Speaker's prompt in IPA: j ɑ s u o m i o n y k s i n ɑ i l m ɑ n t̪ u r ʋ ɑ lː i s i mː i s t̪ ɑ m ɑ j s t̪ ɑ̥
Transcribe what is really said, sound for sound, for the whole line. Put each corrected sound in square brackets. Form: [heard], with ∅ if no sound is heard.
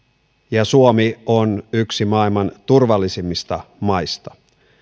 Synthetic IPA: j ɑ s u o m i o n y k s i [m] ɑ i l m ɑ n t̪ u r ʋ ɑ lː i s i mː i s t̪ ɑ m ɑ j s t̪ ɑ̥